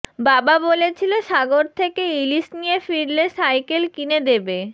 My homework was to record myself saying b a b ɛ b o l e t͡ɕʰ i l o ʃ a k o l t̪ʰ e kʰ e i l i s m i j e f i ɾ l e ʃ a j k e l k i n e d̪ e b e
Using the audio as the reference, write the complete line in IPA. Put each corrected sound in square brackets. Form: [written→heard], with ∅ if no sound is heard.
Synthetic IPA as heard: b a b [ɛ→a] b o l e t͡ɕʰ i l o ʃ a [k→ɡ] o [l→ɾ] t̪ʰ e [kʰ→k] e i l i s [m→n] i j e f i ɾ l e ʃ a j k e l k i n e d̪ e b e